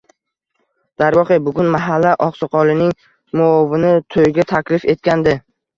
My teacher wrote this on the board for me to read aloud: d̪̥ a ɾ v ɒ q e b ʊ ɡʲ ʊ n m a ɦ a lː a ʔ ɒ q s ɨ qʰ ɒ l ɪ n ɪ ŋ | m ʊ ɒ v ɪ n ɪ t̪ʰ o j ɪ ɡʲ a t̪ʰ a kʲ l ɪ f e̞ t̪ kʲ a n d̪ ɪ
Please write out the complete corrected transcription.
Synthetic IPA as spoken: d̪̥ a ɾ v ɒ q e b ʊ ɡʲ ʊ n m a ɦ a lː a ʔ ɒ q s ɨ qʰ ɒ l ɪ n ɪ ŋ | m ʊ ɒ v ɪ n ɪ t̪ʰ o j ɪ ɡʲ a t̪ʰ a kʲ l ɪ f e̞ t̪ kʲ a n d̪ ɪ